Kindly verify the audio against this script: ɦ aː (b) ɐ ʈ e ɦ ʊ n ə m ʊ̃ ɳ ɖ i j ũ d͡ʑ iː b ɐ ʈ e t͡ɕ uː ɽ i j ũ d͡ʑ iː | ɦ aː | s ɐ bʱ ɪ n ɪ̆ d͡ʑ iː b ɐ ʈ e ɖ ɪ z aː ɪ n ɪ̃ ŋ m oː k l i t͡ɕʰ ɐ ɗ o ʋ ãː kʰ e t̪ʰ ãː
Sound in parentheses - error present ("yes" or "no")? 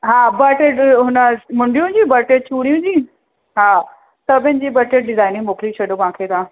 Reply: no